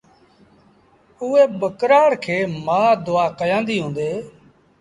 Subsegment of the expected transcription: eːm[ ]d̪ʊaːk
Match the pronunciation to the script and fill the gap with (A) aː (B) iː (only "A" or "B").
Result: A